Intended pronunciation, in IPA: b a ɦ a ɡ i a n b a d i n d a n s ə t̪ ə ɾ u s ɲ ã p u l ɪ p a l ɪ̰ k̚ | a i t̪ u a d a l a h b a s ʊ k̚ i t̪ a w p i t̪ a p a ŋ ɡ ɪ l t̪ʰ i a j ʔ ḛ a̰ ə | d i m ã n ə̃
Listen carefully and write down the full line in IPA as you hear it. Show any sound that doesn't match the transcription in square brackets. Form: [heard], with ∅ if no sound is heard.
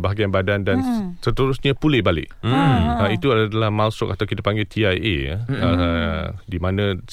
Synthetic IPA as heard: b a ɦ a ɡ i a n b a d [a] n d a n s ə t̪ ə ɾ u s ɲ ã p u l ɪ [b] a l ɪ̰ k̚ | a i t̪ u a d a l a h [m] a s ʊ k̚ [a] t̪ a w [k] i t̪ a p a ŋ ɡ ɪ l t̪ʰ i a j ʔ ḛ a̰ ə | d i m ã n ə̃